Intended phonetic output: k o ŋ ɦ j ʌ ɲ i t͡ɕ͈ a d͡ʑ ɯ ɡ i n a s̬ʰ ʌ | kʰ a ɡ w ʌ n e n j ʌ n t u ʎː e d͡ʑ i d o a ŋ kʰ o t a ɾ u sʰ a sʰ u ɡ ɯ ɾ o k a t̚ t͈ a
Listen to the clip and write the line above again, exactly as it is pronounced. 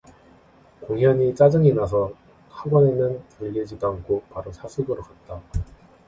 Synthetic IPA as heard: k o ŋ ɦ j ʌ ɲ i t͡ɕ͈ a d͡ʑ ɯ ŋ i n a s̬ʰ ʌ | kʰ a ɡ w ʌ n e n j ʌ n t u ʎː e d͡ʑ i d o a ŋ kʰ o p a ɾ o sʰ a sʰ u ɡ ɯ ɾ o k a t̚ t͈ a